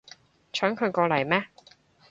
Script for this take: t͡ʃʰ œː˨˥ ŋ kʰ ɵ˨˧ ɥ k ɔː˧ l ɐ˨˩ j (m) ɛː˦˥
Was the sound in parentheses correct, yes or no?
yes